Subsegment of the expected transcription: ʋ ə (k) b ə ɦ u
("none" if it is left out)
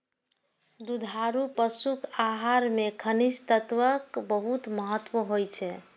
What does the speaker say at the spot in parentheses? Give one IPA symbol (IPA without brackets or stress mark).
k